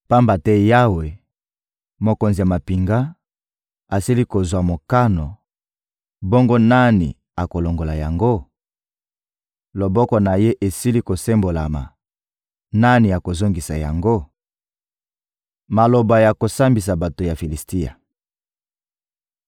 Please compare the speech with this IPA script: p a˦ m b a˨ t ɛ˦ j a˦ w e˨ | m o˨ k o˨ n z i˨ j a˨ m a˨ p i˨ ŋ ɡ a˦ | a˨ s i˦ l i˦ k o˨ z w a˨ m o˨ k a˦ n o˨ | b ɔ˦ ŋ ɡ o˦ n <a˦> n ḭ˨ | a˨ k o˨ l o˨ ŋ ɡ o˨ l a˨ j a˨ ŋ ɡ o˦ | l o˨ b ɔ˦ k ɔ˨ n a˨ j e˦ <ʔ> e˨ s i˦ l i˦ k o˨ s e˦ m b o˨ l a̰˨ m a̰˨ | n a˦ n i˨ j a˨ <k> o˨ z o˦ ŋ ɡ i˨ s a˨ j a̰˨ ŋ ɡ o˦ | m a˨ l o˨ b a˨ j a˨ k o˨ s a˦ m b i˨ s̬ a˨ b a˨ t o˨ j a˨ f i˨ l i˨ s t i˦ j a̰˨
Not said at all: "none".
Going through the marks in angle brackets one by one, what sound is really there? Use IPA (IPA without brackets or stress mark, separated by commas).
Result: a˦, ʔ, k